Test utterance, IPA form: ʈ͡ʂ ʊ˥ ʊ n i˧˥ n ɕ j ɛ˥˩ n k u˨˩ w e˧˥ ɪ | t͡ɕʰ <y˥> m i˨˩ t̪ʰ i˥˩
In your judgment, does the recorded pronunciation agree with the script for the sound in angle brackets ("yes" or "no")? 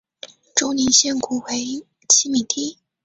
no